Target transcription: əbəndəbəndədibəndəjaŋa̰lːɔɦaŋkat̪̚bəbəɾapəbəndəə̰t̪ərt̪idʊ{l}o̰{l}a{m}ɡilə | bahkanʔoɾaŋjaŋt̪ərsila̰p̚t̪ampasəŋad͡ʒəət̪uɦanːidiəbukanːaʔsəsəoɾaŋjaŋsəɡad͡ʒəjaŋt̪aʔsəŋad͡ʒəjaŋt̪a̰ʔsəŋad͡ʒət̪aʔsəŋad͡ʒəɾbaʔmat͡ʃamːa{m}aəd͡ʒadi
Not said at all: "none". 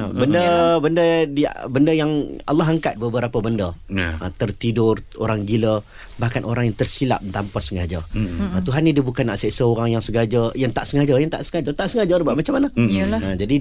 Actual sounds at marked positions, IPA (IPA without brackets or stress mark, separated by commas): r, ɾ, ŋ, n